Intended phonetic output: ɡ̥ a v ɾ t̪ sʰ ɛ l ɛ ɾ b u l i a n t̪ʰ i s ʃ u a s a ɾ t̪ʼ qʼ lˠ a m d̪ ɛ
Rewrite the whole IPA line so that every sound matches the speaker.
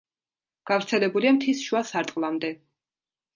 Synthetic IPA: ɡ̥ a v ɾ t̪ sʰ ɛ l ɛ b u l i a m t̪ʰ i s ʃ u a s a ɾ t̪ʼ qʼ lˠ a m d̪ ɛ